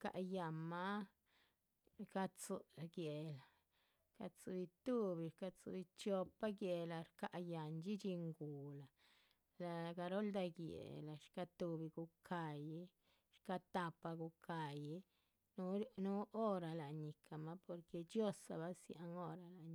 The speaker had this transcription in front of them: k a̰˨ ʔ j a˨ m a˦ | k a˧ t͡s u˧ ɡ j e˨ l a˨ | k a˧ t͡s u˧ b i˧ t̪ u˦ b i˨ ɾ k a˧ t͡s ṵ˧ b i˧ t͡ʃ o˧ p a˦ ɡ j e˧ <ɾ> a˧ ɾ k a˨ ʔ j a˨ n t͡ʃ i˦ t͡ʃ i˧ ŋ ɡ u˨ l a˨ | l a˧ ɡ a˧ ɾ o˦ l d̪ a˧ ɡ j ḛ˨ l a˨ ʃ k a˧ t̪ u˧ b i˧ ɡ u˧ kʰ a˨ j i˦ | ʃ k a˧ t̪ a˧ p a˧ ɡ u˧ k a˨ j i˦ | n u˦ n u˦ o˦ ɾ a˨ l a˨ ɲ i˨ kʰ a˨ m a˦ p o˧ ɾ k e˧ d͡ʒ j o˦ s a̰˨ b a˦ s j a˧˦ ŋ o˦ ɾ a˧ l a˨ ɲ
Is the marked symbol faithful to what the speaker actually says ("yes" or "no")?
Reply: no